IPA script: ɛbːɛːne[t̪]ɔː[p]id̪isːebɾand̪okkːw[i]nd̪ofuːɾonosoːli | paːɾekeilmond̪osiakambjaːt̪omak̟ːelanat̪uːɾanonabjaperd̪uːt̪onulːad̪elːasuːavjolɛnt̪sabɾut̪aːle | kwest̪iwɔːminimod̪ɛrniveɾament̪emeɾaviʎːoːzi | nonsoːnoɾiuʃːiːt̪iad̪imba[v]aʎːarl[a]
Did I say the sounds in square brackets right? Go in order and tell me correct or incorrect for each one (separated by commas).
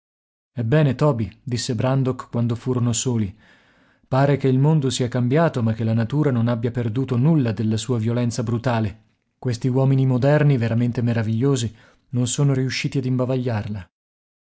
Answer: correct, incorrect, incorrect, correct, correct